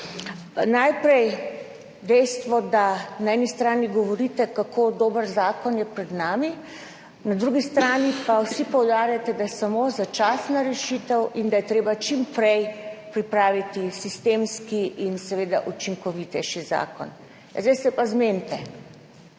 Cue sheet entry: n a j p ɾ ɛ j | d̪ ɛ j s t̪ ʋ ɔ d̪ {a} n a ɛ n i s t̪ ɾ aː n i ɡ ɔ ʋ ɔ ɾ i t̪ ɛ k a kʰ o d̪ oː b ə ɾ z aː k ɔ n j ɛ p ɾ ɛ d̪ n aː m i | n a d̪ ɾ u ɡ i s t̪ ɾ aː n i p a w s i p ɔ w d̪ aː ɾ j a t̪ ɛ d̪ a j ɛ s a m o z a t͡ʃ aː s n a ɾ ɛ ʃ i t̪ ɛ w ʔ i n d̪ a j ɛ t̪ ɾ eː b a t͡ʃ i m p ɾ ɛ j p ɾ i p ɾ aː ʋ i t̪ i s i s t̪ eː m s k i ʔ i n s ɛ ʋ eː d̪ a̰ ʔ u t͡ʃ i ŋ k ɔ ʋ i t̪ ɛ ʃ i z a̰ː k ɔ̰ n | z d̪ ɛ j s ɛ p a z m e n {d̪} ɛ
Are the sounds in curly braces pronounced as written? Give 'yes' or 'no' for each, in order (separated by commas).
yes, no